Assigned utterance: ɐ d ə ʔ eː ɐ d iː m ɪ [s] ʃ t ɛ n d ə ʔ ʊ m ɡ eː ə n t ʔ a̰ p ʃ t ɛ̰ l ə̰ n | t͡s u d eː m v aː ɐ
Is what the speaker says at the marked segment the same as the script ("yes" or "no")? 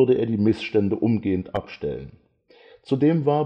yes